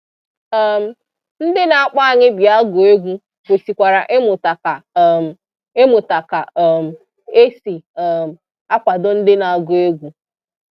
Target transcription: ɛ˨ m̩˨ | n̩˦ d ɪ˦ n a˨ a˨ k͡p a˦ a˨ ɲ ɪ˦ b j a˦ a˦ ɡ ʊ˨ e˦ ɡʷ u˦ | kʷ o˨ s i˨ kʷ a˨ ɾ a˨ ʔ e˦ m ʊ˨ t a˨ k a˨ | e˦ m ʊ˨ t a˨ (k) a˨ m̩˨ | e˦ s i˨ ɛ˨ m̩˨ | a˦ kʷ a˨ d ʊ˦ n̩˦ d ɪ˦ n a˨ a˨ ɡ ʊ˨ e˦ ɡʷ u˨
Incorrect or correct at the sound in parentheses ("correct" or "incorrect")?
correct